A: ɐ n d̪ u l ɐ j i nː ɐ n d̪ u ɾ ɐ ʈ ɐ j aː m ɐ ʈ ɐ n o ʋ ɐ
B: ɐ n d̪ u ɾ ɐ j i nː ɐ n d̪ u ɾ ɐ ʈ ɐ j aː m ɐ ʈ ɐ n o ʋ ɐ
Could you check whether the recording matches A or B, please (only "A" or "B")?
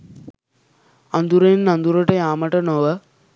B